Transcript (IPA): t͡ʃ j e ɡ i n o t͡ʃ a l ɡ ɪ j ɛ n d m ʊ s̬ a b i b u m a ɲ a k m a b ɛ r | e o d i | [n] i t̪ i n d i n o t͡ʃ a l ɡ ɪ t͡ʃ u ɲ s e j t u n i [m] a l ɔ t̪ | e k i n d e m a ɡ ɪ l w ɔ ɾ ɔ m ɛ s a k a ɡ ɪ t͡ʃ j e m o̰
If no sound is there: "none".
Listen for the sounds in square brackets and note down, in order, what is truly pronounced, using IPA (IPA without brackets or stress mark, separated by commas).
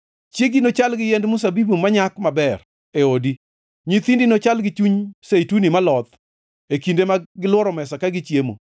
ɲ, m